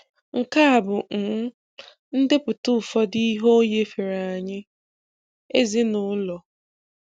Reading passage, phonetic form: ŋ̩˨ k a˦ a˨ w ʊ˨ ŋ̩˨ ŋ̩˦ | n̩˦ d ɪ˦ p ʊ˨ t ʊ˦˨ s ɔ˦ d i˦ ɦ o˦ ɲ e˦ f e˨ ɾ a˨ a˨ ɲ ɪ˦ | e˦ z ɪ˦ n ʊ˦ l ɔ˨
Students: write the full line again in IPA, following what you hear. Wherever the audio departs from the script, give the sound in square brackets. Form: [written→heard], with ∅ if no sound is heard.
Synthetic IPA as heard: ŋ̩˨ k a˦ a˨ [w→b] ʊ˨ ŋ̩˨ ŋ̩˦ | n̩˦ d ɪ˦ p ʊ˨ t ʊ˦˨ [s→f] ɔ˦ d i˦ ɦ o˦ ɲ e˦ f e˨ ɾ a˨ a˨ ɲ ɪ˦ | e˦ z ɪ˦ n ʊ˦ l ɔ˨